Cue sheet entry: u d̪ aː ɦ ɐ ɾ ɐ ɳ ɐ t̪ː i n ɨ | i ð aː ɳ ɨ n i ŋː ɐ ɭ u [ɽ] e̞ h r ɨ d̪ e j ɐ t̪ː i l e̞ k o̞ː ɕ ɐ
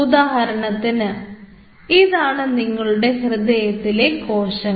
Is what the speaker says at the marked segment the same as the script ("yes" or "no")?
yes